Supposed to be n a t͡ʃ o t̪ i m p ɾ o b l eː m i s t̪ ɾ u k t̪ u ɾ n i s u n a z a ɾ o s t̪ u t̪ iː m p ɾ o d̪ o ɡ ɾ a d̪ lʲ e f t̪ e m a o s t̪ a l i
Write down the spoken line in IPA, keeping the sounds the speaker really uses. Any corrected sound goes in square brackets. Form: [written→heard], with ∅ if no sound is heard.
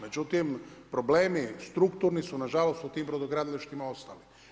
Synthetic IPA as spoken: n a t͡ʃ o t̪ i m p ɾ o b l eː m i s t̪ ɾ u k t̪ u ɾ n i s u n a [z→ʒ] a [ɾ→l] o s t̪ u t̪ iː m p ɾ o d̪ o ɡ ɾ a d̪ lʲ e [f→ʃ] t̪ [e→i] m a o s t̪ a l i